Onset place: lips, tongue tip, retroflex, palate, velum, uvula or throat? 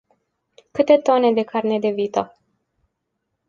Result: velum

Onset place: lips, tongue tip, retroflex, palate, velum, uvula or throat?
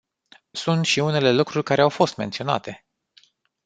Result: tongue tip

